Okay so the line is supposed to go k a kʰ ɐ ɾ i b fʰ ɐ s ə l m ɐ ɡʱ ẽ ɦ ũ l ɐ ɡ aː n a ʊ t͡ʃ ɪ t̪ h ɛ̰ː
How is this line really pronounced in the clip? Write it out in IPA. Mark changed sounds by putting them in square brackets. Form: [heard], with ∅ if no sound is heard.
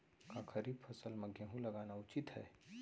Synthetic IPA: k a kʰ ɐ ɾ i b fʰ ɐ s ə l m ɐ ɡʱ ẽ ɦ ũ l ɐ ɡ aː n a ʊ t͡ʃ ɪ t̪ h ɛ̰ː